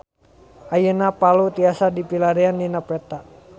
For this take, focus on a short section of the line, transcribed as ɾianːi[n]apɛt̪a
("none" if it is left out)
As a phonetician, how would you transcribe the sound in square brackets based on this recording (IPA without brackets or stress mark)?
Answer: n